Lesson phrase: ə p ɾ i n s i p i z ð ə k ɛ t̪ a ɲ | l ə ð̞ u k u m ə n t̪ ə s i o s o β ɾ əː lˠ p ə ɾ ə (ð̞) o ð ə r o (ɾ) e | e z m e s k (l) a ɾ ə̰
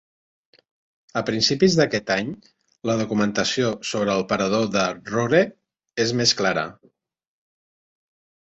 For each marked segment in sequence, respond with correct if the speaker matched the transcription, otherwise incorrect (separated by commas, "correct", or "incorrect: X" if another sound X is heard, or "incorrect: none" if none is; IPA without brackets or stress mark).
correct, correct, correct